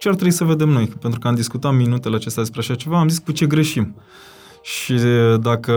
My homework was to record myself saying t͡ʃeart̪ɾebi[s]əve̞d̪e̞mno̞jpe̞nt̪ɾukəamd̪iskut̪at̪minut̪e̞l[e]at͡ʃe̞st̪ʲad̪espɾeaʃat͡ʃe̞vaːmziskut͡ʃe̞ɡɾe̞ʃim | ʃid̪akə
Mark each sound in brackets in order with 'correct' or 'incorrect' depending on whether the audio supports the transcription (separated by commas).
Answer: correct, correct